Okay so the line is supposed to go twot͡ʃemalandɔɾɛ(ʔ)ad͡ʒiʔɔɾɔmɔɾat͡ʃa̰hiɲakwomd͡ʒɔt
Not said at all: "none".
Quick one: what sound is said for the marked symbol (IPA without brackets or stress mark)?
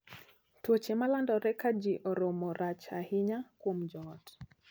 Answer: k